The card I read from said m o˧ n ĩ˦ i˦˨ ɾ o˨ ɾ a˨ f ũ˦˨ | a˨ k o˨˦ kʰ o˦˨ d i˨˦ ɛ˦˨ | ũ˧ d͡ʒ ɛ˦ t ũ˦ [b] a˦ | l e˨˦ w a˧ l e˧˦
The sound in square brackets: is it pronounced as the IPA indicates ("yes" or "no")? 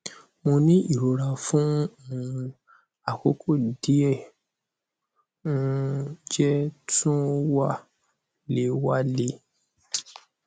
no